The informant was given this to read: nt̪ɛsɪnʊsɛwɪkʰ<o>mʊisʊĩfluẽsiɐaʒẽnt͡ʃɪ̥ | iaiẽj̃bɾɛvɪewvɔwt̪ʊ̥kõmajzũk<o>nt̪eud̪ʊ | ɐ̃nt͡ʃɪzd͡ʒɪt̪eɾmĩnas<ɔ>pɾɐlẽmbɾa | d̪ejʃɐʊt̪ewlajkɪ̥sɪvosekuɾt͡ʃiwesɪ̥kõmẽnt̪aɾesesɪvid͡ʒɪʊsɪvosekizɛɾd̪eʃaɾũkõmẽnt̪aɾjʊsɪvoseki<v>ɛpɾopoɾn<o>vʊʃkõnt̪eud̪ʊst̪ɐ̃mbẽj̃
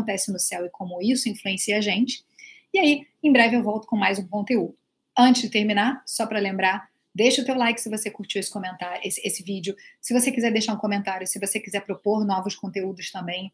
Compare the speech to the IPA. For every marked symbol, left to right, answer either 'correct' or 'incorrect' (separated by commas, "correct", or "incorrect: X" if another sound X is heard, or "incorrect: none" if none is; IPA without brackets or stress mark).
incorrect: õ, incorrect: õ, correct, incorrect: z, incorrect: ɔ